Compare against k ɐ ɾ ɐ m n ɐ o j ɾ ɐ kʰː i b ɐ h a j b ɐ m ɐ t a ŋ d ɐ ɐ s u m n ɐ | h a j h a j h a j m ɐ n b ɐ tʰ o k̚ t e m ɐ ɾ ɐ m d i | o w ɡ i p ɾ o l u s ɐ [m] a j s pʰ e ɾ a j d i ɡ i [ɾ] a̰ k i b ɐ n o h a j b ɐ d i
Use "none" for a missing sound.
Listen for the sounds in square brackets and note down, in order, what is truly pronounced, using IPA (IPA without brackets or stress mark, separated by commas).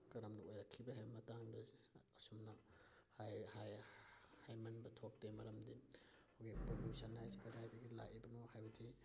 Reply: n, l